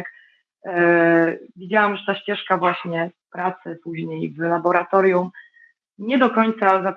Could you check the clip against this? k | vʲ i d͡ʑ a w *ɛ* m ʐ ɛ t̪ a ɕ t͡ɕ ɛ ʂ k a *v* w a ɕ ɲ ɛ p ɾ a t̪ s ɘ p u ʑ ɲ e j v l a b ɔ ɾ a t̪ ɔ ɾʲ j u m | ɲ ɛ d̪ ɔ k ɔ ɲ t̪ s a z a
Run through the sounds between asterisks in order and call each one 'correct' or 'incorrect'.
incorrect: a, correct

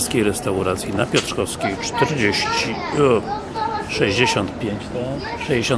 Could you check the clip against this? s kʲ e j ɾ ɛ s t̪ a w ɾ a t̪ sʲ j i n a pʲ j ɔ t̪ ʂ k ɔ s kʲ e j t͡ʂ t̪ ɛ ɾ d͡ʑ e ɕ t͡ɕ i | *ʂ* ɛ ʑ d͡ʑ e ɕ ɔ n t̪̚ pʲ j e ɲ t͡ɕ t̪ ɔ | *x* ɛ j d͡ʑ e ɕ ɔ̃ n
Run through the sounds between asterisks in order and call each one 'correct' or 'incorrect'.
correct, incorrect: ʂ

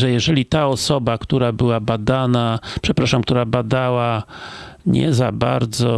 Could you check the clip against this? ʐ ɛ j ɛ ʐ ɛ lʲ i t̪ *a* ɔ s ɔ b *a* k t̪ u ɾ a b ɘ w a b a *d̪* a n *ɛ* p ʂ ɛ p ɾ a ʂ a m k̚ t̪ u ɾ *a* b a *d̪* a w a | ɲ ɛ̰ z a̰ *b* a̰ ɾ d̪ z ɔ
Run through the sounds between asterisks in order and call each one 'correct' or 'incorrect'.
correct, correct, correct, incorrect: a, correct, correct, correct

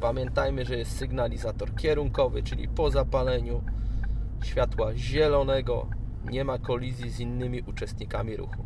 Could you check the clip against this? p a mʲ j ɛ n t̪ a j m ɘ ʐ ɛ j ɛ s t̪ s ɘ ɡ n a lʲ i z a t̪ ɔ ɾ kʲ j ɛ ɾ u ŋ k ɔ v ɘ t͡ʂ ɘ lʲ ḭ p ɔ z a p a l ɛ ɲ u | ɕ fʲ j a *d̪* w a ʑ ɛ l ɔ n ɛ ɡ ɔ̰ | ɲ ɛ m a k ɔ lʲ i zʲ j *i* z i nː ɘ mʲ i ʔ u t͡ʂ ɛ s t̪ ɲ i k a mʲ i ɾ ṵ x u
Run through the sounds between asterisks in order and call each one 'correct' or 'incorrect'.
incorrect: t̪, correct

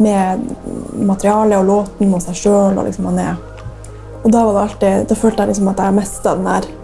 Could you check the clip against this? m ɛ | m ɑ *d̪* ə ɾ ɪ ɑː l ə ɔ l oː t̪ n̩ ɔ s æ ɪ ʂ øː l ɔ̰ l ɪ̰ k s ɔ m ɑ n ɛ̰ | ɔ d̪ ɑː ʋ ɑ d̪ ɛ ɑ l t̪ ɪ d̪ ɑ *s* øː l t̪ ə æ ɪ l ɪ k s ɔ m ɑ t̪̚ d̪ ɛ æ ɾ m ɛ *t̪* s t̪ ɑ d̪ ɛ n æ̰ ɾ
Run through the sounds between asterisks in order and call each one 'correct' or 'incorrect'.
incorrect: t̪, incorrect: f, incorrect: none

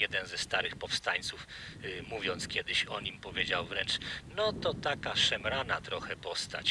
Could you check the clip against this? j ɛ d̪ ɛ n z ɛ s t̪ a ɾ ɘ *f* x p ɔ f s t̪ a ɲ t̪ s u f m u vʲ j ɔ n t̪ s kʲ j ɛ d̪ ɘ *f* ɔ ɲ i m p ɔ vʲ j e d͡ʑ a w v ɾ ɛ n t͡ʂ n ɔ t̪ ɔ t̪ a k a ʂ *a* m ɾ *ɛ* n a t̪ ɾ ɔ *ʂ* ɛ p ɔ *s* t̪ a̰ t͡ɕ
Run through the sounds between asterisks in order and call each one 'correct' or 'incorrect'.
incorrect: none, incorrect: ɕ, incorrect: ɛ, incorrect: a, incorrect: x, correct

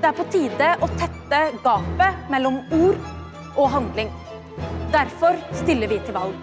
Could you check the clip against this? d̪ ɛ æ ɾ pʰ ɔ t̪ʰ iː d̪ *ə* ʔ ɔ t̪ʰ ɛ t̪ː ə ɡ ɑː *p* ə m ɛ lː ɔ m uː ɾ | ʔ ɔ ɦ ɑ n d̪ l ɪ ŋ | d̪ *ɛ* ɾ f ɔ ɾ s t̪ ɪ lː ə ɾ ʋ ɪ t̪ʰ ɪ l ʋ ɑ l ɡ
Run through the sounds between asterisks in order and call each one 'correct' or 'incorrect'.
correct, correct, incorrect: æ

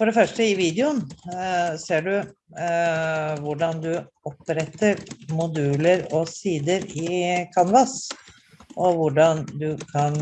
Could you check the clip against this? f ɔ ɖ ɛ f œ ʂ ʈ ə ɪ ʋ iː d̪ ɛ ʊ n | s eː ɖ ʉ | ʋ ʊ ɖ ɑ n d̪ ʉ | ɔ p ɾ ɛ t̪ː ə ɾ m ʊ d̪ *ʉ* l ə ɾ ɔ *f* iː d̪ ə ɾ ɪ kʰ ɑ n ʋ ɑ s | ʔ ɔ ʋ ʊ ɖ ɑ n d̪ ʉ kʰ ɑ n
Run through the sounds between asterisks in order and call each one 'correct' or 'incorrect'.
incorrect: ʉː, incorrect: s

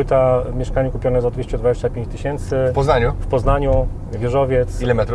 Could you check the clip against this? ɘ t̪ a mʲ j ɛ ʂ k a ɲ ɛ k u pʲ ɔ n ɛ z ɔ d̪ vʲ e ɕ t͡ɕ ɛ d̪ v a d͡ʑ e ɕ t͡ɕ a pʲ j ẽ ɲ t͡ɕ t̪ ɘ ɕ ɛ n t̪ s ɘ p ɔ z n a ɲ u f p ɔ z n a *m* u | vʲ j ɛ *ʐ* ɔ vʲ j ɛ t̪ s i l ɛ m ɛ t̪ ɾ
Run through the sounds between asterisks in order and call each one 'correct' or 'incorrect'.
incorrect: ɲ, correct

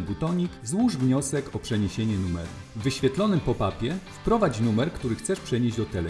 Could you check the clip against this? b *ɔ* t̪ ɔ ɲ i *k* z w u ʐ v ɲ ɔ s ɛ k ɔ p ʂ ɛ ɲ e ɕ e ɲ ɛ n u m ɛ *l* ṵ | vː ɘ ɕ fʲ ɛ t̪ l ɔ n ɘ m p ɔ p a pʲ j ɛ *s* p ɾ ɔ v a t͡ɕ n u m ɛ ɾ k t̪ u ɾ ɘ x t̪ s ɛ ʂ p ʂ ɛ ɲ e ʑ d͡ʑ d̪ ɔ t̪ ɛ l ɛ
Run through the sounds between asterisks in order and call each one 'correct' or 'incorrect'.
incorrect: u, correct, incorrect: ɾ, incorrect: f

